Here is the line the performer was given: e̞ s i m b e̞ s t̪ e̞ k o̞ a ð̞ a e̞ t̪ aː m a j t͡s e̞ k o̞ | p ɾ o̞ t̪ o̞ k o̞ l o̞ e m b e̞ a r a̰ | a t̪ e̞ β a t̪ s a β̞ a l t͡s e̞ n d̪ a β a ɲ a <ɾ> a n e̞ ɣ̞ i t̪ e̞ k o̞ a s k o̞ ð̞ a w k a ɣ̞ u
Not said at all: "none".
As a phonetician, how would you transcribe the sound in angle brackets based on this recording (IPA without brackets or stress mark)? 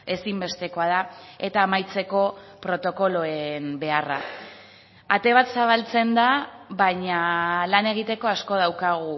l